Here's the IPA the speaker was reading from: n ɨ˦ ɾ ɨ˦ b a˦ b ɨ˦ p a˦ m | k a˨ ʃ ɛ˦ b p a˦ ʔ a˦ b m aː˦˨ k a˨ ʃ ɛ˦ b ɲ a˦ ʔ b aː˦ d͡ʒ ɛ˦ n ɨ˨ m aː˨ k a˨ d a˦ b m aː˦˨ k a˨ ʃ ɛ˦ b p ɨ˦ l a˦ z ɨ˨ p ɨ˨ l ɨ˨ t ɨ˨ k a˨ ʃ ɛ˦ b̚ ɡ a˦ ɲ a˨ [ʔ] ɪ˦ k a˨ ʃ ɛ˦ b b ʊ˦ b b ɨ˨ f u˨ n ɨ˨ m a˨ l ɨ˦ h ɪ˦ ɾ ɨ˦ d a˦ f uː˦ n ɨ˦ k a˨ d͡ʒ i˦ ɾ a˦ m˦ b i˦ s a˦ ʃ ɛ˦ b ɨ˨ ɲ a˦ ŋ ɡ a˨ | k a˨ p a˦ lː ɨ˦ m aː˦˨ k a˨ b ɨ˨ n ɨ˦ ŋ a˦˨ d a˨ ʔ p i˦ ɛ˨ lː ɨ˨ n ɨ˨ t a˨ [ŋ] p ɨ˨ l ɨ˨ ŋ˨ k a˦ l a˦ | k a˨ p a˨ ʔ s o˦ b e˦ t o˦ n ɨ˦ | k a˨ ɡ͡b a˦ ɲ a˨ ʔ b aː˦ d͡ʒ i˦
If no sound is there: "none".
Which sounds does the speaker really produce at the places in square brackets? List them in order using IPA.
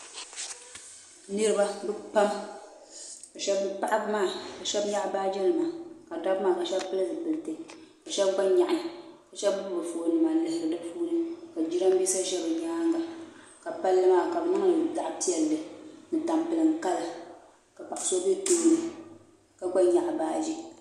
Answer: ʔ, m

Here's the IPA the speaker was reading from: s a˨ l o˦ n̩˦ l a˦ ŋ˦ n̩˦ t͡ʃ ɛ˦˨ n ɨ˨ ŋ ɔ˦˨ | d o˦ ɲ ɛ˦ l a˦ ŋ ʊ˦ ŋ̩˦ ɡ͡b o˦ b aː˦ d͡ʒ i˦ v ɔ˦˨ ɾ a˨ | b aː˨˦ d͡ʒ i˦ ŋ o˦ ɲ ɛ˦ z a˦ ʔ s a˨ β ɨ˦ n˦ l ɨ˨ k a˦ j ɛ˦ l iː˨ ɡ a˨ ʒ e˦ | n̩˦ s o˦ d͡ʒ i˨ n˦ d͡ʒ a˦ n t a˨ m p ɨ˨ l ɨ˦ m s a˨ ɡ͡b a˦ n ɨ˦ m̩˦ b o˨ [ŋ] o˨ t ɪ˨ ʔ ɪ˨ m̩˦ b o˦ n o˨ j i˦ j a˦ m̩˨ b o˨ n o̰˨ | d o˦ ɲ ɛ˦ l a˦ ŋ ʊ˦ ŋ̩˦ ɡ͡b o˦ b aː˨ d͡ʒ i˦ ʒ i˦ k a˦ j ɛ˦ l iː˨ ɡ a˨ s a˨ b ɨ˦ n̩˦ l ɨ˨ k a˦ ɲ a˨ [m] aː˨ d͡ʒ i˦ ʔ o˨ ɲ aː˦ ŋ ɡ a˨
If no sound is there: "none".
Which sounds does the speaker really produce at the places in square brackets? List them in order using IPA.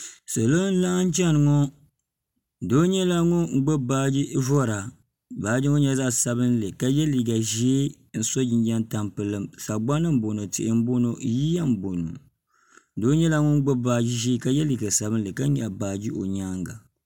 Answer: n, b

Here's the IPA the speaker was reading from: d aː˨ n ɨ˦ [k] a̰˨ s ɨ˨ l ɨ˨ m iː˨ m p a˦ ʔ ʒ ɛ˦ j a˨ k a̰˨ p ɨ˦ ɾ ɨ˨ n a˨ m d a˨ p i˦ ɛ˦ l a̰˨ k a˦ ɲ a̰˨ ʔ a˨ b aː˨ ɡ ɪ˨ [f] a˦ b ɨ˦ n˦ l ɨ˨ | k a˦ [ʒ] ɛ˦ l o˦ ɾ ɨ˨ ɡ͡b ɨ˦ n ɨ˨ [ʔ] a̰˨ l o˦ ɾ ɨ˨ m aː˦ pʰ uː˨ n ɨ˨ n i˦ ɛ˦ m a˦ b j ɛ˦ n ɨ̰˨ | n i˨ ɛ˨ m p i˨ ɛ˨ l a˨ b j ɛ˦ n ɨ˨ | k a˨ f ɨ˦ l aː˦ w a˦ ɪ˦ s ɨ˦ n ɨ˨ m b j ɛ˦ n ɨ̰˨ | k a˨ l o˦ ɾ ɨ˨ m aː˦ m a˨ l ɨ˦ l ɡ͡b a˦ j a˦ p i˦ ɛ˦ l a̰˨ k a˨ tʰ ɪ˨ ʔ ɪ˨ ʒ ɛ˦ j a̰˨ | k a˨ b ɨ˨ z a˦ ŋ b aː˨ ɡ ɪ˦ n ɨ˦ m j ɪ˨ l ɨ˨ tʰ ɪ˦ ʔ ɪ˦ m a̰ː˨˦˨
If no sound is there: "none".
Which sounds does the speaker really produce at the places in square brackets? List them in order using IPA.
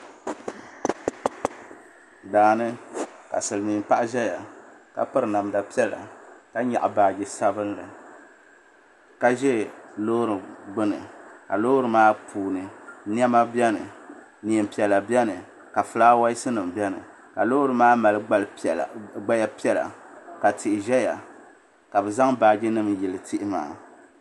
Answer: k, s, ʒ, k

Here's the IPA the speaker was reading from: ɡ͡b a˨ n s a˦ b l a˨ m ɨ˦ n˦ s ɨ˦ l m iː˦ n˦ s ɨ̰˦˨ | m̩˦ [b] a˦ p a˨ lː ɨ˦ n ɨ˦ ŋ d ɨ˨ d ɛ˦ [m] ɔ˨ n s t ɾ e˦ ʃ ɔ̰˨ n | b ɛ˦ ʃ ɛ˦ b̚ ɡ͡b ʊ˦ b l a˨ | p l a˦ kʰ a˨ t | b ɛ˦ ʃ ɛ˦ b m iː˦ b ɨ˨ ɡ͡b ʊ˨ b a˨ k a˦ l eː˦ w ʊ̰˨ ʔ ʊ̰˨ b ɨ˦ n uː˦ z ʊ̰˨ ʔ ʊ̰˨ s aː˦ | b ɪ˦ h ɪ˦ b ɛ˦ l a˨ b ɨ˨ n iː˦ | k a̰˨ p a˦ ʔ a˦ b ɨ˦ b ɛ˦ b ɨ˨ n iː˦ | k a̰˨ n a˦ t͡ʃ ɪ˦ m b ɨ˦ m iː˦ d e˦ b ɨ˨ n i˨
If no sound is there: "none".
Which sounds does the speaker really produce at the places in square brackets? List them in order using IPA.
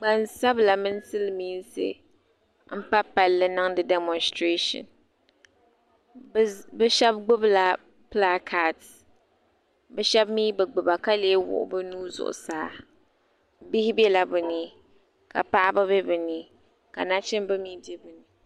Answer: p, m

